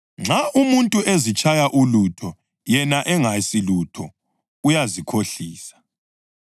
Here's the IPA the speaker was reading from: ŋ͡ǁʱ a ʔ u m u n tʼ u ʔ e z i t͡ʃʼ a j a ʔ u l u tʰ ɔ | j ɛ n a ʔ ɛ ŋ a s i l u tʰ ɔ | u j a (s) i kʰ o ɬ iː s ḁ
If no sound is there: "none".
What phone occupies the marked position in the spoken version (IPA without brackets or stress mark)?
z